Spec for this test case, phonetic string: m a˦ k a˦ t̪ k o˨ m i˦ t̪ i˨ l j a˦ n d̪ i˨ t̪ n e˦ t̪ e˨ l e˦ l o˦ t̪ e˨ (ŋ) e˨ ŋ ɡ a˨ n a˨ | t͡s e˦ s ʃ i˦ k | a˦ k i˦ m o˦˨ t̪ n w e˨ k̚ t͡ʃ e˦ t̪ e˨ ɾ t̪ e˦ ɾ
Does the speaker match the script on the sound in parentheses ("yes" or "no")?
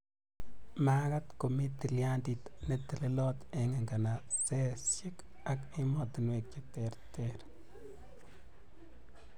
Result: yes